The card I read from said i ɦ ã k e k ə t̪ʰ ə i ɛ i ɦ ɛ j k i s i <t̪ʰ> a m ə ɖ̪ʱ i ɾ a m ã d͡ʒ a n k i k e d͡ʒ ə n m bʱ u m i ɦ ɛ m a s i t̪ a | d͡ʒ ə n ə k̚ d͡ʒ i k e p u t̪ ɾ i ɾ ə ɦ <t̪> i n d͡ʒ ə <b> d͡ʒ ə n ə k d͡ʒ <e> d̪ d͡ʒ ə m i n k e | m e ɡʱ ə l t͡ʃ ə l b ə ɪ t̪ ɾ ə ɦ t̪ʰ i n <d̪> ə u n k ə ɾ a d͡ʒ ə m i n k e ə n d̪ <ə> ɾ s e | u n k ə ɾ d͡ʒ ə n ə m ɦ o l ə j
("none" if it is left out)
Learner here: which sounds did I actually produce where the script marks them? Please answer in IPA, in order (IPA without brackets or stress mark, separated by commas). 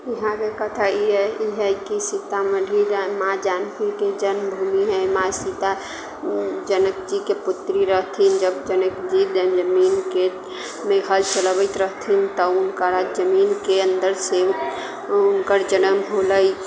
t̪, t̪ʰ, b, i, t̪, ə